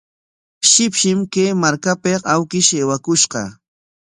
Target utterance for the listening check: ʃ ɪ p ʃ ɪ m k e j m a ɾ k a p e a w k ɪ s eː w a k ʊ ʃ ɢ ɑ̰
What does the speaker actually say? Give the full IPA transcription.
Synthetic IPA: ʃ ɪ p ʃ ɪ m k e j m a ɾ k a p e a w k ɪ ʃ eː w a k ʊ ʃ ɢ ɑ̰